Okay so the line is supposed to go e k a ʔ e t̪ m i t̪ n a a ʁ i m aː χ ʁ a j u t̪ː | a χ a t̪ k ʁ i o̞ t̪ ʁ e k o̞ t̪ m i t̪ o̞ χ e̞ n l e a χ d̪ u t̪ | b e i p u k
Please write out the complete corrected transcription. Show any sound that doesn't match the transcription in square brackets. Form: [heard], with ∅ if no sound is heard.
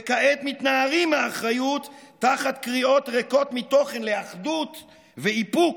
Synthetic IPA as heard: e k a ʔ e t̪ m i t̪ n a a ʁ i m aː χ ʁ a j u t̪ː | a χ a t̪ k ʁ i o̞ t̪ ʁ e k o̞ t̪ m i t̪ o̞ χ e̞ n l e a χ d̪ u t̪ | [v] e i p u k

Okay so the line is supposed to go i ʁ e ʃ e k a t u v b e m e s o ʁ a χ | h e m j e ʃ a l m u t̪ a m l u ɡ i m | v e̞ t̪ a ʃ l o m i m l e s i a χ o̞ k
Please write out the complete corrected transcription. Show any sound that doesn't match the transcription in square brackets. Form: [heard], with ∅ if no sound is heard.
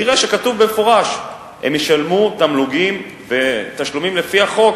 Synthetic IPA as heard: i ʁ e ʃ e k a t u v b e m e [f] o ʁ a [ʃ] | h e m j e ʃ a l m u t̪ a m l u ɡ i m | v e̞ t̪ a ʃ l [u] m i m l e [f] i a χ o̞ k

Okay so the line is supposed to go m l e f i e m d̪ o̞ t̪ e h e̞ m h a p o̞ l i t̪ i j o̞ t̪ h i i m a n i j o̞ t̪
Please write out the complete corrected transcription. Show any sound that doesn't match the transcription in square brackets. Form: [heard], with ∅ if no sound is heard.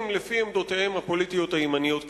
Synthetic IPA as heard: m l e f i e m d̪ o̞ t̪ e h e̞ m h a p o̞ l i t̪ i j o̞ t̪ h [a] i m a n i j o̞ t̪

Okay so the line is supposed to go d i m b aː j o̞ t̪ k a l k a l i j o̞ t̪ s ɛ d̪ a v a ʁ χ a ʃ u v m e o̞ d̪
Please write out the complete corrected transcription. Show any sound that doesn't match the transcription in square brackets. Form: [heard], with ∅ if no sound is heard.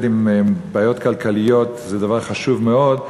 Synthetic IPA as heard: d i m b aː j o̞ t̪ k a l k a l i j o̞ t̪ [z] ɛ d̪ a v a ʁ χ a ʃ u v m e o̞ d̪

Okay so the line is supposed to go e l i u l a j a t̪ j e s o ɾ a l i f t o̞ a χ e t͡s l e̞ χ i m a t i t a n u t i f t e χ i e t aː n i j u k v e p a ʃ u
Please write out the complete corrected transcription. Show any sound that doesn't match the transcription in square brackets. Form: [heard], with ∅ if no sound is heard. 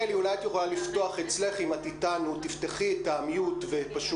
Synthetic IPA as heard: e l i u l a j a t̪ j e [χ] o [l] a l i f t o̞ a χ e t͡s l e̞ χ i m a t i t a n u t i f t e χ i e t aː [m] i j u [t] v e p a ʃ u

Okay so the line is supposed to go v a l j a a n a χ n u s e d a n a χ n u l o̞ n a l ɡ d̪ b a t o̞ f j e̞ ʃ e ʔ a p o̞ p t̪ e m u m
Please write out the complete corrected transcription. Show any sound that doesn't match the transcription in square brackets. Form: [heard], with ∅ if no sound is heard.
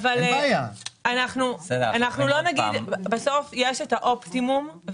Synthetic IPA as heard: v a l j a a n a χ n u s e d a n a χ n u l o̞ n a [∅] ɡ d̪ b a [s] o̞ f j e̞ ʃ e [t] a [ʔ] o̞ p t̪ [i] m u m

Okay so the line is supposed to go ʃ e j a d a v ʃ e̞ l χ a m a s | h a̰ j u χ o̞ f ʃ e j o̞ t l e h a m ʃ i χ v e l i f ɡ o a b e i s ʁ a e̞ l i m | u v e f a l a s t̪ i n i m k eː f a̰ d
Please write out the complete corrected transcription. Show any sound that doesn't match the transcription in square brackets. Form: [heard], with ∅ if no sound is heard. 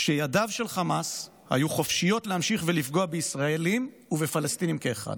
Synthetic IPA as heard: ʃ e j a d a v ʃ e̞ l χ a m a s | h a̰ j u χ o̞ f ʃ [i] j o̞ t l e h a m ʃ i χ v e l i f ɡ o a b e i s ʁ a e̞ l i m | u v e f a l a s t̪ i n i m k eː [χ] a̰ d

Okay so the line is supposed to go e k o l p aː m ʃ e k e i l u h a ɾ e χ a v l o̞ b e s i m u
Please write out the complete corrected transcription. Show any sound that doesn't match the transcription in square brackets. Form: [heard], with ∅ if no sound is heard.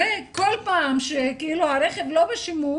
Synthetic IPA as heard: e k o l p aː m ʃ e k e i l u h a ɾ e χ [e] v l o̞ b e [ʃ] i m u

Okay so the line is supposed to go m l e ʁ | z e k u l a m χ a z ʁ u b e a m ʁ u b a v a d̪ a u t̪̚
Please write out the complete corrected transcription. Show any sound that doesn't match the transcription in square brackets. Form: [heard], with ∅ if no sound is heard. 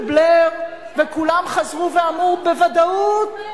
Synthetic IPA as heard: [b] l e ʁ | [v] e k u l a m χ a z ʁ u [v] e a m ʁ u b [e] v a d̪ a u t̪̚

